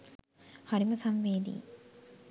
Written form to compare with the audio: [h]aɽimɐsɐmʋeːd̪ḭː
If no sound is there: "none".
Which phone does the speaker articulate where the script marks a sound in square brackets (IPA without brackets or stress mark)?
h